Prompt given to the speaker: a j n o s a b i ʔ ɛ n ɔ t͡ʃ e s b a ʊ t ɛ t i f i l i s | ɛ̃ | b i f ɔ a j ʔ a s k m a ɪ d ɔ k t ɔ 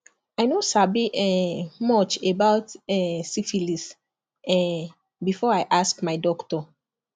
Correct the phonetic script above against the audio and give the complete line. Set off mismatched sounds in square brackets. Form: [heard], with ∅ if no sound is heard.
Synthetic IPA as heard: a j n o s a b i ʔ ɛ [m] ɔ t͡ʃ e [∅] b a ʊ t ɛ [s] i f i l i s | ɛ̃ | b i f ɔ a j ʔ a s k m a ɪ d ɔ k t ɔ